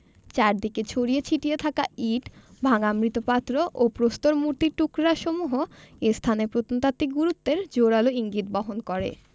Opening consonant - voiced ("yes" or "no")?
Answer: no